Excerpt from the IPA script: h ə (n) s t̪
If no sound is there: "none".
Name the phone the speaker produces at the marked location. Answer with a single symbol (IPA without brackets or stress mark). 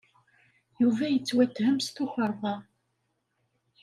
m